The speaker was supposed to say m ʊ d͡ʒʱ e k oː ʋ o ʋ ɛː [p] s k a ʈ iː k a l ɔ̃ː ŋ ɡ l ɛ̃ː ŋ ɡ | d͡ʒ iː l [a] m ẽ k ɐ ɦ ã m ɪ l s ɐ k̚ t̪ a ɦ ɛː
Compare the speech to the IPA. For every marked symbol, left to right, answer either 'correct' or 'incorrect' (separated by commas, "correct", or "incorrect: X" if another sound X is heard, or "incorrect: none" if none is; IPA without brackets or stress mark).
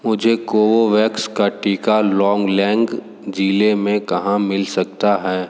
incorrect: k, incorrect: e